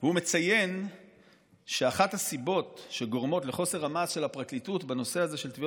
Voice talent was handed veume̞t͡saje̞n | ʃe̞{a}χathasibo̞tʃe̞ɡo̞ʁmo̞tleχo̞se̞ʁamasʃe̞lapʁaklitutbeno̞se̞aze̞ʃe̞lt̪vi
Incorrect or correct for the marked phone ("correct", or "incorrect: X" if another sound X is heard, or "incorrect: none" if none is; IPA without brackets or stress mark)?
correct